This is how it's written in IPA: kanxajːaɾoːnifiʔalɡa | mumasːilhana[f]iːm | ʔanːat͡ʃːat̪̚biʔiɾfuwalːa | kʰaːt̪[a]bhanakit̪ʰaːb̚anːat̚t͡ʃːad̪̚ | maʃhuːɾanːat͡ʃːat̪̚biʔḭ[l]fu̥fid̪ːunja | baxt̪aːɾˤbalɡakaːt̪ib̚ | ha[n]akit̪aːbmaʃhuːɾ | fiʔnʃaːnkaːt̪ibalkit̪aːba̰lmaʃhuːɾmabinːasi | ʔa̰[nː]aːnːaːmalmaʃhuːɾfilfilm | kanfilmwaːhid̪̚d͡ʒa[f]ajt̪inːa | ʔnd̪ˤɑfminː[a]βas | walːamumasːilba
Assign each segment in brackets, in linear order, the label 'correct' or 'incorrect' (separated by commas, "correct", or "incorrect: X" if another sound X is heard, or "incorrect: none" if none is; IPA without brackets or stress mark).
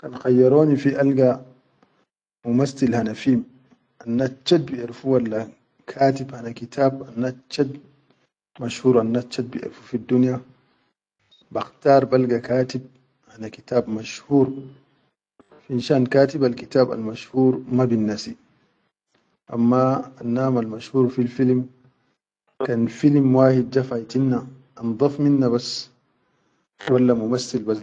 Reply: correct, incorrect: i, incorrect: ɾ, correct, incorrect: mː, correct, correct